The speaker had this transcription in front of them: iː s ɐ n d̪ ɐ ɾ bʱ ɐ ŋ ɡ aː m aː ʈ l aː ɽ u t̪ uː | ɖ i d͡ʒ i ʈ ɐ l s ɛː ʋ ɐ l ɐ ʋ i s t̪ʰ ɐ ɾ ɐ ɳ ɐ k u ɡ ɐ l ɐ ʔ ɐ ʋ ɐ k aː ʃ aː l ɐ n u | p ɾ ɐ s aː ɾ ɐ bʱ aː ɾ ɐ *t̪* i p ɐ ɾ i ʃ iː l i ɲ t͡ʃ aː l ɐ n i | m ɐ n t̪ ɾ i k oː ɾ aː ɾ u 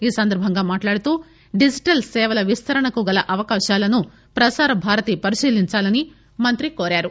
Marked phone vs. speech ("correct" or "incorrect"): correct